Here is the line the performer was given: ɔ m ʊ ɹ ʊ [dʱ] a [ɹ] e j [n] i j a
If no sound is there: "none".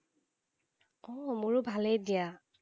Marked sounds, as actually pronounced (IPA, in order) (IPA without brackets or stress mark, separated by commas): bʱ, l, d